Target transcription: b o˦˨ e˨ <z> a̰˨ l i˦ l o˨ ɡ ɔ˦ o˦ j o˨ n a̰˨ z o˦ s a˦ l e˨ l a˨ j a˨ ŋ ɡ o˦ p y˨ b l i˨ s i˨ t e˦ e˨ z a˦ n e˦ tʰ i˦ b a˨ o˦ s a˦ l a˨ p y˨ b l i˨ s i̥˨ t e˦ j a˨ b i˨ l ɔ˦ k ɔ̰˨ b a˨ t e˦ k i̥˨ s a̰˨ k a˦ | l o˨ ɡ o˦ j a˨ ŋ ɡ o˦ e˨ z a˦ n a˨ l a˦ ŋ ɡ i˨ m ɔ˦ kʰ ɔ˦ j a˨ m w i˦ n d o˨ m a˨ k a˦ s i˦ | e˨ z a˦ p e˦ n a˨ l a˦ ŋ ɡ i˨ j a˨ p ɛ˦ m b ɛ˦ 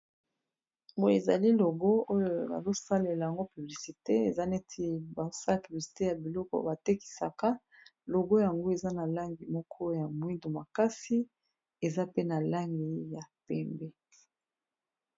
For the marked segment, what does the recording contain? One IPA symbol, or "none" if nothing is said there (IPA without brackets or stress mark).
z